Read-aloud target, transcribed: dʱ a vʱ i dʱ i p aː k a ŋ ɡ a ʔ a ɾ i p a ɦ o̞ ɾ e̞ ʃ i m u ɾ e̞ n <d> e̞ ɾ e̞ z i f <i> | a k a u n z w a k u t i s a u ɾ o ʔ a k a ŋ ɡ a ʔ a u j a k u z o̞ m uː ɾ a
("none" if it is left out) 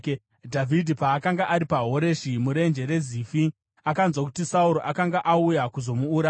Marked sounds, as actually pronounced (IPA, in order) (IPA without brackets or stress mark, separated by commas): d͡ʒ, i